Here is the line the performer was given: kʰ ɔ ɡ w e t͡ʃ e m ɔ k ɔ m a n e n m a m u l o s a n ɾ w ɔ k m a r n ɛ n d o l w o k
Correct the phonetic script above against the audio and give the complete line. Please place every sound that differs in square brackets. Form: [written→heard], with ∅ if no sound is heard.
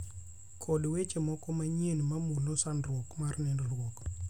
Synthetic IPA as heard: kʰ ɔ [ɡ→d] w e t͡ʃ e m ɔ k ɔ m a [n→ɲ] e n m a m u l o s a n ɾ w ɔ k m a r n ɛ n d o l w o k